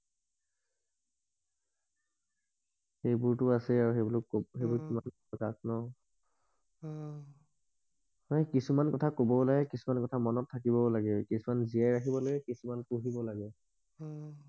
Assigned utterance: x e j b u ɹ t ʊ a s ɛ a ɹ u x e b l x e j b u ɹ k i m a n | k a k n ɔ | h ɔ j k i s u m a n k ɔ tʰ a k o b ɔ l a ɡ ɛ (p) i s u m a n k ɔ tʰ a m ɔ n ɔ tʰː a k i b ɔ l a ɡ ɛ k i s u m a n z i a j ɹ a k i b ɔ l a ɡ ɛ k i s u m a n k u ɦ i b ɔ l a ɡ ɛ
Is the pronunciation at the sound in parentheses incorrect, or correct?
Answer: incorrect